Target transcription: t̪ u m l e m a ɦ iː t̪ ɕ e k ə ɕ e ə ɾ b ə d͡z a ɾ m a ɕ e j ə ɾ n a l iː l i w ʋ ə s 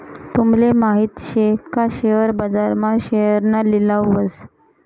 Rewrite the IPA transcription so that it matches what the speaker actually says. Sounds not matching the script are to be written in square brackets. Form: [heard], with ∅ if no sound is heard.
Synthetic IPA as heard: t̪ u m l e m a ɦ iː t̪ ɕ e k [a] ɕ e ə ɾ b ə d͡z a ɾ m a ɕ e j ə ɾ n a l [i] l [a] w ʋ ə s